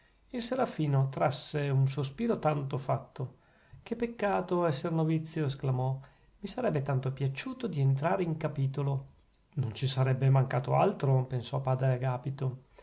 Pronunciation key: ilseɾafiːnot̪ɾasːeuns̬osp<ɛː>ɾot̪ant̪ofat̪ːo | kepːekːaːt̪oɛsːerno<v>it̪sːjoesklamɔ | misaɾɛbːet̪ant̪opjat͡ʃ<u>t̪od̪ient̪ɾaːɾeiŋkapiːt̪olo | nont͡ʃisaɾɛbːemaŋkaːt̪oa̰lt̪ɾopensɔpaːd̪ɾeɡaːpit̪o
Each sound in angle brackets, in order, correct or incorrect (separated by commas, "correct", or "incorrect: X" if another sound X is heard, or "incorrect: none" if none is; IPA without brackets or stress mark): incorrect: iː, correct, incorrect: uː